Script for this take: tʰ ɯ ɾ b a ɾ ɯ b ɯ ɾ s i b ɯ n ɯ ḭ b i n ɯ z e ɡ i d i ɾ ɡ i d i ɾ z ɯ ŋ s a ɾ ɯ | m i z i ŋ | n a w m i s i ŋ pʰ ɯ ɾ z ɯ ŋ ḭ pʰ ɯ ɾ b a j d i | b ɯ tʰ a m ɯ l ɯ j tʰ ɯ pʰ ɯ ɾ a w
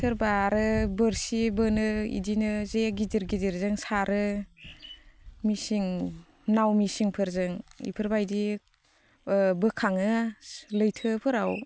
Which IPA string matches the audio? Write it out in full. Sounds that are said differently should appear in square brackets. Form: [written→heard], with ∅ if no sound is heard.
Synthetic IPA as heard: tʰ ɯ ɾ b a ɾ ɯ b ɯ ɾ s i b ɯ n ɯ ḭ [b→d] i n ɯ z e ɡ i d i ɾ ɡ i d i ɾ z ɯ ŋ s a ɾ ɯ | m i [z→s] i ŋ | n a w m i s i ŋ pʰ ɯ ɾ z ɯ ŋ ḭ pʰ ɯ ɾ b a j d i | b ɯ [tʰ→kʰ] a [m→ŋ] ɯ l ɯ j tʰ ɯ pʰ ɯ ɾ a w